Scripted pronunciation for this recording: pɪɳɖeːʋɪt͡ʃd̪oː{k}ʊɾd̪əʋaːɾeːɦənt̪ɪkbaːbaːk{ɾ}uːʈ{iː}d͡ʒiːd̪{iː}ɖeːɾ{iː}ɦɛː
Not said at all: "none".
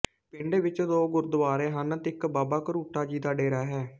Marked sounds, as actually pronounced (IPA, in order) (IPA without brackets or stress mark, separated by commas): ɡ, ɾ, aː, aː, aː